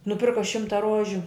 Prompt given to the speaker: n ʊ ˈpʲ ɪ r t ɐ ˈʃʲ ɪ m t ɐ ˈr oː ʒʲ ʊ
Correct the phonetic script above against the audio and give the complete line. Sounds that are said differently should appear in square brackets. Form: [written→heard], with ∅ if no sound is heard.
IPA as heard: n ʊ ˈpʲ ɪ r [t→k] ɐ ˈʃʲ ɪ m t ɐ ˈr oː ʒʲ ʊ